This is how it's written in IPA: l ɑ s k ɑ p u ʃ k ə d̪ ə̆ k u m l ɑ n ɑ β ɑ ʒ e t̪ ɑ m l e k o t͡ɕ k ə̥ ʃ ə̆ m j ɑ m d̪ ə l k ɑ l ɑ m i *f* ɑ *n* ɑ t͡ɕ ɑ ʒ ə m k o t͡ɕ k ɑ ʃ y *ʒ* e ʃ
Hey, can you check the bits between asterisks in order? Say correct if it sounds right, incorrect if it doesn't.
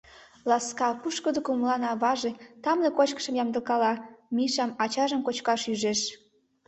incorrect: ʃ, incorrect: m, correct

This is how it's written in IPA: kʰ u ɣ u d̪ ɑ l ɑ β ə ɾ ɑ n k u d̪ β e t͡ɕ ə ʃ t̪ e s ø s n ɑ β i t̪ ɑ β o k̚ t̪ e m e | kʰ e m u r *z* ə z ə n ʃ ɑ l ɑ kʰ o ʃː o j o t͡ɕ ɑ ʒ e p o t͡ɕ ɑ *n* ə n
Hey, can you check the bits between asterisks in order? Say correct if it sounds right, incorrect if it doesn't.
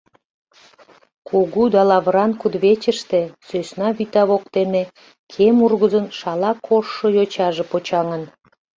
incorrect: ɣ, incorrect: ŋ

